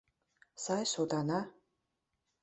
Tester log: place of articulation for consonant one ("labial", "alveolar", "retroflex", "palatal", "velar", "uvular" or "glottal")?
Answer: alveolar